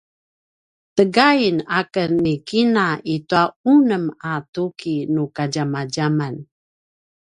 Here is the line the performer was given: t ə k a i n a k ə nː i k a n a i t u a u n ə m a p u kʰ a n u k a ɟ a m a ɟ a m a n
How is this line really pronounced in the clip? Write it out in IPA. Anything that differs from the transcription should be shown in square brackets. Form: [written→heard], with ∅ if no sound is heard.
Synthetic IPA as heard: t ə [k→ɡ] a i n a k ə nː i k [a→i] n a i t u a u n ə m a [p→t] u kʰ [a→i] n u k a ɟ a m a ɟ a m a n

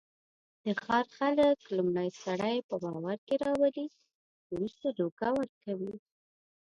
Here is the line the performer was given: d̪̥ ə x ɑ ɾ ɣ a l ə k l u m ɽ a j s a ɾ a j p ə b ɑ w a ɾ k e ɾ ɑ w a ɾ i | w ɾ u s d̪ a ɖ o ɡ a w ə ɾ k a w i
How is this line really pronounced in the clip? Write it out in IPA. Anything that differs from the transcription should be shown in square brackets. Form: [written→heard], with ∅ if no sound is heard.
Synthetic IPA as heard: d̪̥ ə x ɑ ɾ [ɣ→x] a l ə k l u m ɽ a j s a [ɾ→ɽ] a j p ə b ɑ w a ɾ k e ɾ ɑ w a [ɾ→l] i | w ɾ u s [d̪→t̪] a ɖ o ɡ a w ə ɾ k a w i

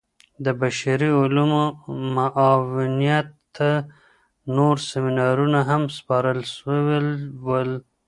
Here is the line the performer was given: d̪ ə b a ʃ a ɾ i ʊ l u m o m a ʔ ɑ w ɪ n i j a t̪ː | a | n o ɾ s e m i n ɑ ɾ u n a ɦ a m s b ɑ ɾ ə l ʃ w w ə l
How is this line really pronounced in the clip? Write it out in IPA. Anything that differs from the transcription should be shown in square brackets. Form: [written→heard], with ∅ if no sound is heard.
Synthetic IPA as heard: d̪ ə b a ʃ a ɾ i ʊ l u m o m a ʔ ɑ w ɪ n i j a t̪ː | a | n o ɾ s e m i n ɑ ɾ u n a ɦ a m s [b→p] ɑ ɾ ə l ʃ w w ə l

